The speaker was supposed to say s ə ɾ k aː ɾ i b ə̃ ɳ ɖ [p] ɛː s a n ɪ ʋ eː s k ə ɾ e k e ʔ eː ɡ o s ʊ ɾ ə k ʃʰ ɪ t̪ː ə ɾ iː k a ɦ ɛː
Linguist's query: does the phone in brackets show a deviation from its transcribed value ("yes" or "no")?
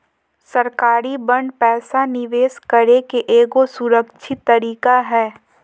no